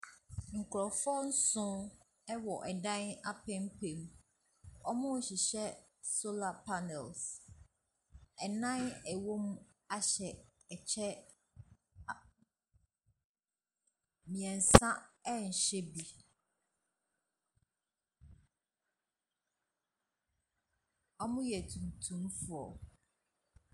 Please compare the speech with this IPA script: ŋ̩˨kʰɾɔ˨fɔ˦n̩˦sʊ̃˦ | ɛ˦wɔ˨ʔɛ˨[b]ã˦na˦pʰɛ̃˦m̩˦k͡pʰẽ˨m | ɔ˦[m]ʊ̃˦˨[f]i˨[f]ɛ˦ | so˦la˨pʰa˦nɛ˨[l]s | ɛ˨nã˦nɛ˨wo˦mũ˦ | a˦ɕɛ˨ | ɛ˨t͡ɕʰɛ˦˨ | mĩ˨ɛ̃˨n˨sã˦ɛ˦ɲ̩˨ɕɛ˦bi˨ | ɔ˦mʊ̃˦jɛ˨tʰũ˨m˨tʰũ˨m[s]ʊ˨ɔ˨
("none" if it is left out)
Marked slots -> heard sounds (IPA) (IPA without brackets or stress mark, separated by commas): d, m, ɕ, ɕ, l, f